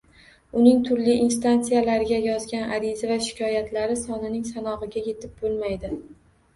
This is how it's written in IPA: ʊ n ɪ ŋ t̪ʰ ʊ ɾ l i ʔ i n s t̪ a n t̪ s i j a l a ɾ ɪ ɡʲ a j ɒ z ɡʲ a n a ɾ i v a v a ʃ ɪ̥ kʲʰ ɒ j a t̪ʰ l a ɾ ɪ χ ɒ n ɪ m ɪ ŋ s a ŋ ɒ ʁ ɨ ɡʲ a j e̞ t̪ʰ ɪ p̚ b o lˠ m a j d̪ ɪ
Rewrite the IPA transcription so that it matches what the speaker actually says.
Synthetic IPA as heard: ʊ n ɪ ŋ t̪ʰ ʊ ɾ l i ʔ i n s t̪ a n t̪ s i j a l a ɾ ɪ ɡʲ a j ɒ z ɡʲ a n a ɾ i z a v a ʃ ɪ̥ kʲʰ ɒ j a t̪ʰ l a ɾ ɪ s ɒ n ɪ n ɪ ŋ s a n ɒ ʁ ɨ ɡʲ a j e̞ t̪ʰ ɪ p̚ b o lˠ m a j d̪ ɪ